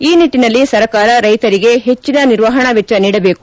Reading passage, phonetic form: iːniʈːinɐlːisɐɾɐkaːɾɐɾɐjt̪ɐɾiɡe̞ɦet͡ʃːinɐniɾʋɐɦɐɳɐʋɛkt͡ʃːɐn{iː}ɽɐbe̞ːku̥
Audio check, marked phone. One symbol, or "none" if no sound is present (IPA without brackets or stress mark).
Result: iː